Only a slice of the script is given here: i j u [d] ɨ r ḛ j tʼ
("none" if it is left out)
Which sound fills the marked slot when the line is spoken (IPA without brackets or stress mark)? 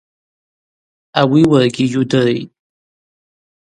d